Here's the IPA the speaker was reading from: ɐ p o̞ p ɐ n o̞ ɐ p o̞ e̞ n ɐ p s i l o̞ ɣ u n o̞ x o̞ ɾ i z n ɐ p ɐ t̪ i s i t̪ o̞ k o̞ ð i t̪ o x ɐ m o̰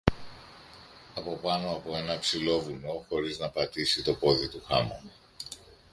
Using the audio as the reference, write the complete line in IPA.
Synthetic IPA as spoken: ɐ p o̞ p ɐ n o̞ ɐ p o̞ e̞ n ɐ p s i l o̞ v u n o̞ x o̞ ɾ i z n ɐ p ɐ t̪ i s i t̪ o̞ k o̞ ð i t̪ u x ɐ m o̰